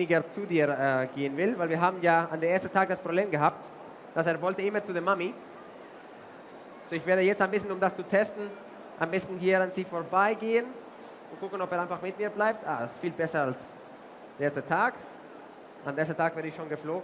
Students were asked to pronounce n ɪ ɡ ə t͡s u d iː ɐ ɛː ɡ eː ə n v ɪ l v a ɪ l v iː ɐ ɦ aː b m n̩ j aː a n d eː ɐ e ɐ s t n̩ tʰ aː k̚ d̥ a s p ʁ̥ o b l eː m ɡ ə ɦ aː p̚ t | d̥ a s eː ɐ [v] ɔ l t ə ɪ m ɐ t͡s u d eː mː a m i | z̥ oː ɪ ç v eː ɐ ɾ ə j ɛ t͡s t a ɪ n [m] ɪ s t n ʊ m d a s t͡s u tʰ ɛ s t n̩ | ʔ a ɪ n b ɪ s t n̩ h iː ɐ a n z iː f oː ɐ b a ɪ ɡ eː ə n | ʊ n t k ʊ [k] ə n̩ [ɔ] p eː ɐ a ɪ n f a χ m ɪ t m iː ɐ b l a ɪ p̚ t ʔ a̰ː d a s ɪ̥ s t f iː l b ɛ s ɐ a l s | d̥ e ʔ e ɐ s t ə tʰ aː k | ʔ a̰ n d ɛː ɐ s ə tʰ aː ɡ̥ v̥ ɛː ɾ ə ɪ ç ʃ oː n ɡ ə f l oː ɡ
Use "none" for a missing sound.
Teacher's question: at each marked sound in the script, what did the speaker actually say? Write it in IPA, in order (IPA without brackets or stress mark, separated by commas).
v, b, k, ɔ